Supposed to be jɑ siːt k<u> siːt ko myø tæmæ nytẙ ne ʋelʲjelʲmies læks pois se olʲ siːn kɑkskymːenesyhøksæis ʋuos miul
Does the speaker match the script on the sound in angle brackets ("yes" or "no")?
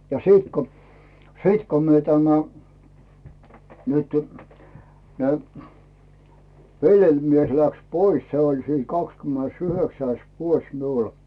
no